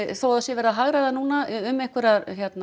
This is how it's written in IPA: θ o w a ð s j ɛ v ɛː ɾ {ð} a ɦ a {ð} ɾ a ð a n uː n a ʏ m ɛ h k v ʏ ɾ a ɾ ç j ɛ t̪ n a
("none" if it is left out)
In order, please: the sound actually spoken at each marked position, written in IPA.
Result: ð, ɣ

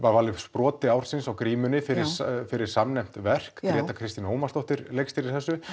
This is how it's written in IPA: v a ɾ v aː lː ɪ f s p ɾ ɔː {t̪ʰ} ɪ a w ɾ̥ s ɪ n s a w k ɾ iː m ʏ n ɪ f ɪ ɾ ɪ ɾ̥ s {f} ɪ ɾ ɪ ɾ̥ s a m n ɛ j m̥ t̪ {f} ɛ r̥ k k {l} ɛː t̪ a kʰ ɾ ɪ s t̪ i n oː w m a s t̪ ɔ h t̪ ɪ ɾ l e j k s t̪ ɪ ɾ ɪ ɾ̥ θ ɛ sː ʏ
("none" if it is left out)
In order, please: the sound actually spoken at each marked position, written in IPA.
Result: t̪, f, v, ɾ

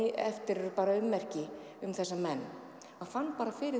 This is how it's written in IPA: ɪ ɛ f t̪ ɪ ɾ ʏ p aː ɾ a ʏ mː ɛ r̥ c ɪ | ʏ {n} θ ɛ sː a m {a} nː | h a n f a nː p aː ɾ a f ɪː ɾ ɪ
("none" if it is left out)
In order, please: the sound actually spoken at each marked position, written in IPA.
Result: m, ɛ

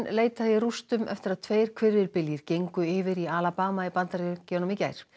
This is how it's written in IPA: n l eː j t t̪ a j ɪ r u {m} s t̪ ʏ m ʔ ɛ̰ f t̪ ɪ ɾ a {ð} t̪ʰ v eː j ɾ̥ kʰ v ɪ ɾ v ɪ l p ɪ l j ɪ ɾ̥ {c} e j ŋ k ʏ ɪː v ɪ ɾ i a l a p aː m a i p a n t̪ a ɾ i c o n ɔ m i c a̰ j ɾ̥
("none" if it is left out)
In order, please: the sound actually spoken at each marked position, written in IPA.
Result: none, ð, c

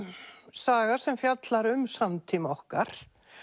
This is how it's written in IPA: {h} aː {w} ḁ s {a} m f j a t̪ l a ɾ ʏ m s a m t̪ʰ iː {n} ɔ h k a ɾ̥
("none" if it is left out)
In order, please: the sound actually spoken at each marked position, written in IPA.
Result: s, ɣ, ɛ, m

